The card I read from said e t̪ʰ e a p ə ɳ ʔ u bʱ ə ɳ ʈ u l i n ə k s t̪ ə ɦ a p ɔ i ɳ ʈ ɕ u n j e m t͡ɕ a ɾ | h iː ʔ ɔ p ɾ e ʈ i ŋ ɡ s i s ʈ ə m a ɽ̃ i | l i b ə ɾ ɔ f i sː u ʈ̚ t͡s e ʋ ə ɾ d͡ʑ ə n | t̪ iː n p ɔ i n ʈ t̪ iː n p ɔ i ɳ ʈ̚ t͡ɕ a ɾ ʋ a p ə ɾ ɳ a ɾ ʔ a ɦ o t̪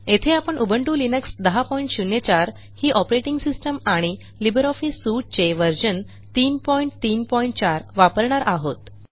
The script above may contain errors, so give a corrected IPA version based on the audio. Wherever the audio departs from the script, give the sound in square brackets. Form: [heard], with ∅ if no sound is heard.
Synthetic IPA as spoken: e t̪ʰ e a p ə ɳ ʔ u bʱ ə ɳ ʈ u l i n ə k s [d̪] ə ɦ a p ɔ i ɳ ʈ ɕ u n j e [∅] t͡ɕ a ɾ | h iː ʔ ɔ p ɾ e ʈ i ŋ ɡ s i s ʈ ə m a ɽ̃ i | l i b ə ɾ ɔ f i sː u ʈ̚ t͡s e ʋ ə ɾ d͡ʑ ə n | t̪ iː n p ɔ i [ɳ] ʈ t̪ iː n p ɔ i ɳ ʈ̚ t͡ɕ a ɾ ʋ a p ə ɾ ɳ a ɾ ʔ a ɦ o t̪